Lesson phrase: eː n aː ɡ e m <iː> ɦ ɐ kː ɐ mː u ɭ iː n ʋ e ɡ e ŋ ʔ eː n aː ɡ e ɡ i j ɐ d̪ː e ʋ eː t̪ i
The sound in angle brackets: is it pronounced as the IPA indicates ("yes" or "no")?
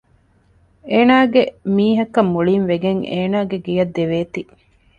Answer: yes